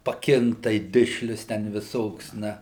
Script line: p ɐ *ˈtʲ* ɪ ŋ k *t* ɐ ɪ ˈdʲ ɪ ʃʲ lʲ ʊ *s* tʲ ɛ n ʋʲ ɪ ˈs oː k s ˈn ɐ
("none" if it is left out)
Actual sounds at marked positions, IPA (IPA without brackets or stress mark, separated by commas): kʲ, t, s